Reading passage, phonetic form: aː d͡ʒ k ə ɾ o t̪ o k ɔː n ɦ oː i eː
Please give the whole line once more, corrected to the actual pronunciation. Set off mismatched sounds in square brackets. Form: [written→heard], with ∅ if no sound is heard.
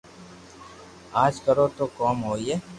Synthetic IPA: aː d͡ʒ k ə ɾ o t̪ o k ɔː [n→m] ɦ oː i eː